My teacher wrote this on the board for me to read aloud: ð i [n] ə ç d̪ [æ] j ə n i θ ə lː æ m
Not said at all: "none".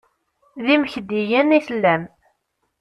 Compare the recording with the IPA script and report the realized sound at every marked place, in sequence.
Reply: m, i

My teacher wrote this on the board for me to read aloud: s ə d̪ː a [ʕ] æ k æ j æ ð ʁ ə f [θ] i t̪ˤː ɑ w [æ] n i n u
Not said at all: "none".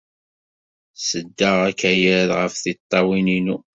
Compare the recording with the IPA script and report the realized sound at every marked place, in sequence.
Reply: ʁ, θ, i

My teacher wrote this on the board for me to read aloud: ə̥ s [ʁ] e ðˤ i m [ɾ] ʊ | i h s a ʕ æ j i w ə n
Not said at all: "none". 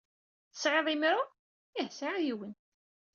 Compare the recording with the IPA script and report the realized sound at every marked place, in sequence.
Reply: ʕ, ɾ

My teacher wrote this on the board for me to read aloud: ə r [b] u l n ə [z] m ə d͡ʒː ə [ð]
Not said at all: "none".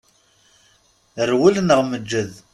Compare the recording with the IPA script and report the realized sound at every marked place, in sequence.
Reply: w, ʁ, ð

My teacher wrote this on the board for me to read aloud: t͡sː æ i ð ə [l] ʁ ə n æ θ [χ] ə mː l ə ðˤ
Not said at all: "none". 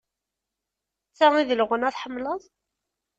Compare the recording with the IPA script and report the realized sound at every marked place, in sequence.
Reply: l, ħ

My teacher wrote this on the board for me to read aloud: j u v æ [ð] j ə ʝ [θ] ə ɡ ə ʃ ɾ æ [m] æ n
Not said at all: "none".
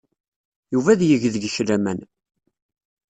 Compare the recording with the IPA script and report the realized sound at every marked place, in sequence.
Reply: ð, ð, m

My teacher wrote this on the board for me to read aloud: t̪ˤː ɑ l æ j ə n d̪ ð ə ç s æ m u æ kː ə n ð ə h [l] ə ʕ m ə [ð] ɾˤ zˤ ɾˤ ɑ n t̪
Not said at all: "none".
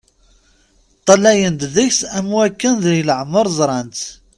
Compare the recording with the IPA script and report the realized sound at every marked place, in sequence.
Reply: l, none

